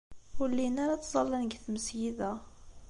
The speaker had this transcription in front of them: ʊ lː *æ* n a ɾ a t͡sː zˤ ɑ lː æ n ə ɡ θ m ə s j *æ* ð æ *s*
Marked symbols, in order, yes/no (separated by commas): no, no, no